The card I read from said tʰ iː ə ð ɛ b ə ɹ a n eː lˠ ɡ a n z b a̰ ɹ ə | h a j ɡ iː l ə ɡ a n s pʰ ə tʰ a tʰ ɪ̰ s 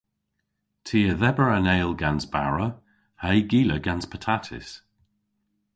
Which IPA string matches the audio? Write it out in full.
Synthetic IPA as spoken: tʰ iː ə ð ɛ b ə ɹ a n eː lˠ ɡ a n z b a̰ ɹ ə | h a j ɡ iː l ə ɡ a n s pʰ ə tʰ a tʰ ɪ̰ s